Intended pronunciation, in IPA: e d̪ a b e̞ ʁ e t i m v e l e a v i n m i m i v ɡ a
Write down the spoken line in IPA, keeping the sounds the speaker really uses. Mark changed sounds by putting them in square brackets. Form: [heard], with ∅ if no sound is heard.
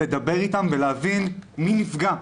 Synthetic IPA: e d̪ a b e̞ ʁ [i] t [a] m v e l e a v i n m i [n] i [f] ɡ a